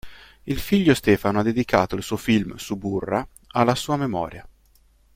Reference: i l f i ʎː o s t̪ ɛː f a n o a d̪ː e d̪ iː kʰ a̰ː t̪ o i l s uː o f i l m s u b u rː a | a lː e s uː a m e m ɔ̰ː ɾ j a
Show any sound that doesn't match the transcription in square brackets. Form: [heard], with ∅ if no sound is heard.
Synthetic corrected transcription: i l f i ʎː o s t̪ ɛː f a n o a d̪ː e d̪ [i] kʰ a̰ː t̪ o i l s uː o f i l m s u b u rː a | a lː [a] s uː a m e m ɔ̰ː ɾ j a